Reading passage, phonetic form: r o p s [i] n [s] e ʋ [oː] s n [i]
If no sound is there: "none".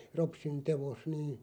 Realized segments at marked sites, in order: i, t, o, iː

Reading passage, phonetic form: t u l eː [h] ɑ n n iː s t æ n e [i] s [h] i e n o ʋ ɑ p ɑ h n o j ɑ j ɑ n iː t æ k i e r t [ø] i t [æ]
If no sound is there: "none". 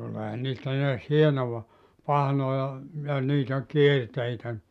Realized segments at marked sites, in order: h, æ, h, e, æ

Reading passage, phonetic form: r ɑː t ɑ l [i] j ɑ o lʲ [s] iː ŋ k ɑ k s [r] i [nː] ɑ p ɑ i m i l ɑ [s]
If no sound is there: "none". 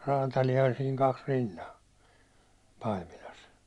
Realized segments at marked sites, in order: i, s, r, nː, s

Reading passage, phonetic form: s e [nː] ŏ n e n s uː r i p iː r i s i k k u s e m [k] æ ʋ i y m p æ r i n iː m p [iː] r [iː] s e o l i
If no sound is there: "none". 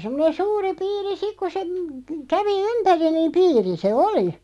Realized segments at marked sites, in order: mː, k, iː, i

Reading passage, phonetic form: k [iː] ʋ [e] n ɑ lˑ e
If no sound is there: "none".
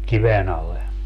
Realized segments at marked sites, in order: i, e

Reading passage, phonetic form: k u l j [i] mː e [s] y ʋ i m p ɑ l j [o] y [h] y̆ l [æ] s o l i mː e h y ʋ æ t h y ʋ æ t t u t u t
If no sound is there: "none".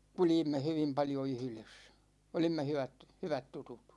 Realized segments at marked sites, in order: i, h, o, h, e

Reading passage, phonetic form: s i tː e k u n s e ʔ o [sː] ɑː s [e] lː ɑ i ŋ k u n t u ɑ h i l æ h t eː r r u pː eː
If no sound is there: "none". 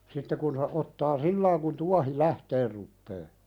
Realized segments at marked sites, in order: tː, i

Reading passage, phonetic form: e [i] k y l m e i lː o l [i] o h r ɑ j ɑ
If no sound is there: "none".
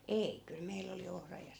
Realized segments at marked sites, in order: i, i

